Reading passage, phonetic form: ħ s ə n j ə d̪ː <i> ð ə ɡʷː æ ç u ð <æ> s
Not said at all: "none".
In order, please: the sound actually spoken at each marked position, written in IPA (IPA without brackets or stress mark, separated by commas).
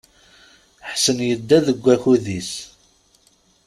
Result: æ, i